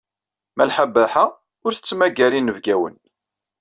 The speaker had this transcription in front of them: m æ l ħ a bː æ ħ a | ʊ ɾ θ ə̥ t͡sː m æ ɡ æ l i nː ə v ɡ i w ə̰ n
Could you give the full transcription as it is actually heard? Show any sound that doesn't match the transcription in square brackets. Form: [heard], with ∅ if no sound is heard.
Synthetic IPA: m æ l ħ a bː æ ħ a | ʊ ɾ θ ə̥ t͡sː m æ ɡ æ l i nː ə v ɡ [æ] w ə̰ n